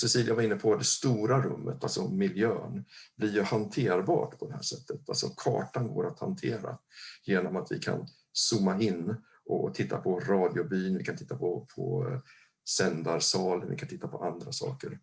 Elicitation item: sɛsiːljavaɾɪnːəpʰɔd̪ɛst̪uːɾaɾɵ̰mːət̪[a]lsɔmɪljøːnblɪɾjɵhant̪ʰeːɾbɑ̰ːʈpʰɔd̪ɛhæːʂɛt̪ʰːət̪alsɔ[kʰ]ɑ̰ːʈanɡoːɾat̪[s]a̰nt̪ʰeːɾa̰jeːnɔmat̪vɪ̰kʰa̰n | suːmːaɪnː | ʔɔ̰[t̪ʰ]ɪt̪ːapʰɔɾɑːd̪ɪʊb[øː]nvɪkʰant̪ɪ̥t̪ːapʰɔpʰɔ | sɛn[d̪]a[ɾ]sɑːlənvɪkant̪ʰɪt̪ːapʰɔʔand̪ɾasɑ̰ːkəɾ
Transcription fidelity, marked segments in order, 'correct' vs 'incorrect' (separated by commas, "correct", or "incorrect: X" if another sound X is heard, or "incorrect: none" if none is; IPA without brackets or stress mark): correct, correct, incorrect: h, correct, incorrect: yː, correct, correct